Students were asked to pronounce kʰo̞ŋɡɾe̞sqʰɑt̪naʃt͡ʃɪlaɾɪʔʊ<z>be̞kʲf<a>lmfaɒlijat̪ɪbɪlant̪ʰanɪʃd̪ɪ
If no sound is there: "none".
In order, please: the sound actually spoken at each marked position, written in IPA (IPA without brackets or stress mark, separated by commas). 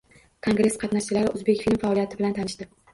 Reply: z, i